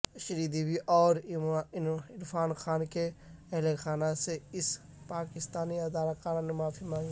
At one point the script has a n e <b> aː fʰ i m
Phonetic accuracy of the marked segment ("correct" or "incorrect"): incorrect